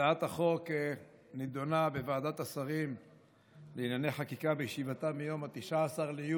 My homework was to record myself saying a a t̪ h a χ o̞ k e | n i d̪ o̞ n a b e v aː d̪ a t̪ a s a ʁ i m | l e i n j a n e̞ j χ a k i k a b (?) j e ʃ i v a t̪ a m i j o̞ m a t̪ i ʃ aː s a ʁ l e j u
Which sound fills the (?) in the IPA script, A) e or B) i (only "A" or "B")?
A